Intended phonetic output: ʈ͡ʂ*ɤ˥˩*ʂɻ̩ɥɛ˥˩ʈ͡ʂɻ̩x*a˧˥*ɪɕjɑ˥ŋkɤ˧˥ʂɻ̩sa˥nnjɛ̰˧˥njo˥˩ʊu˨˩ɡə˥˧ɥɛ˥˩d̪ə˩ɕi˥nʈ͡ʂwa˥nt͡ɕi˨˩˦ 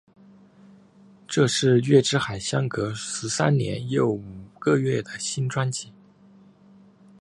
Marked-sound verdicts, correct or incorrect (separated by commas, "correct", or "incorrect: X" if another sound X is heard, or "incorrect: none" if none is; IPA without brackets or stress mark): incorrect: ɤ˥˧, incorrect: a˨˩